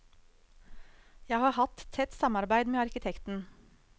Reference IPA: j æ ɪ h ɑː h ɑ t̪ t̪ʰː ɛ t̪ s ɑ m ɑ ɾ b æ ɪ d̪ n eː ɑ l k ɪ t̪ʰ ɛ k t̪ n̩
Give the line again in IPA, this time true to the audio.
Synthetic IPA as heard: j æ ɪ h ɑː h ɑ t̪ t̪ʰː ɛ t̪ s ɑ m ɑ ɾ b æ ɪ d̪ m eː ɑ ɾ k ɪ t̪ʰ ɛ k t̪ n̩